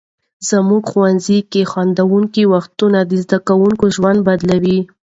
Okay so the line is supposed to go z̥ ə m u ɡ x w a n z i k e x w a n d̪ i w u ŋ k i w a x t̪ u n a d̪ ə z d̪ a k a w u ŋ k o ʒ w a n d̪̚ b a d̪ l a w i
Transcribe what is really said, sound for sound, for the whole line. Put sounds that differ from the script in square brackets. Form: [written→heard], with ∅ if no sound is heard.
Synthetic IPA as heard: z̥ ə m u ɡ x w a n z i k e x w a n d̪ [i→a] w u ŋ k i w a x t̪ u n a d̪ ə z d̪ a k a w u ŋ k o ʒ w a n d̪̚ b a d̪ l a w i